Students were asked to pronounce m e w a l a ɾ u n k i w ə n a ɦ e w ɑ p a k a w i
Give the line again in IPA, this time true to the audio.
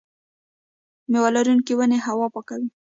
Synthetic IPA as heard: m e w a l a ɾ u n k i w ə n e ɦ a w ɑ p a k a w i